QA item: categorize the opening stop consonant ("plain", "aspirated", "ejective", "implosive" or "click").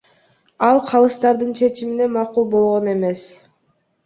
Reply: aspirated